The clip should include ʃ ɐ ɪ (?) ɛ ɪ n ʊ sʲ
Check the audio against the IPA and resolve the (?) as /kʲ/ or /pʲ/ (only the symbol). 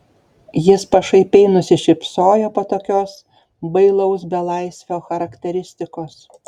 pʲ